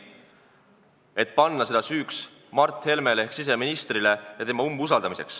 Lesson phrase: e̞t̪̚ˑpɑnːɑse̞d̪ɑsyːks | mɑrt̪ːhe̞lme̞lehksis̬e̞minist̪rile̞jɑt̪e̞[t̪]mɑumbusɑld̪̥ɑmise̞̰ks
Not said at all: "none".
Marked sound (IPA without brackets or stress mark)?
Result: none